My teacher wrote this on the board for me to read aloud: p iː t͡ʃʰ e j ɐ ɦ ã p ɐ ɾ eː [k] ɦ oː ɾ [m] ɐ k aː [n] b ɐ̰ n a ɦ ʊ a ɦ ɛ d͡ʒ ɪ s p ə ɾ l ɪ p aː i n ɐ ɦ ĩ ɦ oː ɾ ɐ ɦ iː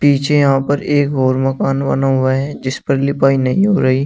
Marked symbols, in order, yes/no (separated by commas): yes, yes, yes